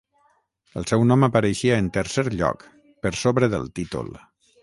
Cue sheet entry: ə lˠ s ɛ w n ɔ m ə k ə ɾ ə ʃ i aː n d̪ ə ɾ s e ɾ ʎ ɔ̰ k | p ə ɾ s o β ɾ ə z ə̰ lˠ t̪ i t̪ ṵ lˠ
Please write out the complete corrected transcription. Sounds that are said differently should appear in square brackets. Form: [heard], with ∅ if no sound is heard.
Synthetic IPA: ə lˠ s ɛ w n ɔ m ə [p] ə ɾ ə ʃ i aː n [t̪] ə ɾ s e ɾ ʎ ɔ̰ k | p ə ɾ s o β ɾ ə [ð] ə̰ lˠ t̪ i t̪ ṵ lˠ